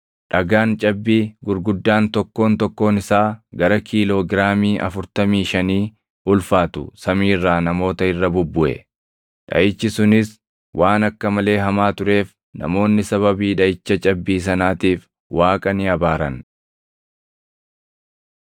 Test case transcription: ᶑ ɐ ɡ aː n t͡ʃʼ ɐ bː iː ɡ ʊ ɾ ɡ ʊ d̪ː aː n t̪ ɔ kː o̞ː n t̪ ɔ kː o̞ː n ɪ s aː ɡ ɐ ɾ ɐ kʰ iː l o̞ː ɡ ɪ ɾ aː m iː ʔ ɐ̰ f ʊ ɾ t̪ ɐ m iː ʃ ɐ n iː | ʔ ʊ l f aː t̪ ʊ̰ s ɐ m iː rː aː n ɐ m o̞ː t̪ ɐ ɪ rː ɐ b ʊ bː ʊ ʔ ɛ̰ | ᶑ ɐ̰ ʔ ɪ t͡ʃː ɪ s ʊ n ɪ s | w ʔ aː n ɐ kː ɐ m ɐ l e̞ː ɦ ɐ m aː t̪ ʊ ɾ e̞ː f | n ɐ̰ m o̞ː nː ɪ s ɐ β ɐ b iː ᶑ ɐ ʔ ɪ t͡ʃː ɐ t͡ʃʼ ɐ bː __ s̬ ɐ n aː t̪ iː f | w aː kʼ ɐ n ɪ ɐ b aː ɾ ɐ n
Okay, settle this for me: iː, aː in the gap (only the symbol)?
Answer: iː